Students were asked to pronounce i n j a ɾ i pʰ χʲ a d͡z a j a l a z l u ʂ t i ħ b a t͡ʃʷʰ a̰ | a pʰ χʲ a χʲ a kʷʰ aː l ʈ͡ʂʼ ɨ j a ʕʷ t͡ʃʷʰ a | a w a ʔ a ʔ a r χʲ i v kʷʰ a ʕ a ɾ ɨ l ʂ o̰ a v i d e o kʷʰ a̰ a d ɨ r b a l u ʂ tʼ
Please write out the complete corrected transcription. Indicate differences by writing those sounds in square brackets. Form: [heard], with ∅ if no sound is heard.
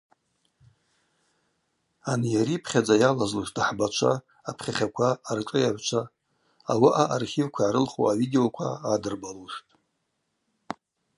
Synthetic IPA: [a] n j a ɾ i pʰ χʲ a d͡z a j a l a z l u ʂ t [a] ħ b a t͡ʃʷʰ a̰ | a pʰ χʲ a χʲ a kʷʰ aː [r] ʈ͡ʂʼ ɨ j a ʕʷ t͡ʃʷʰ a | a w a ʔ a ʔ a r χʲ i v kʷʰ a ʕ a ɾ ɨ l [χ] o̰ a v i d e o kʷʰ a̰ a d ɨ r b a l u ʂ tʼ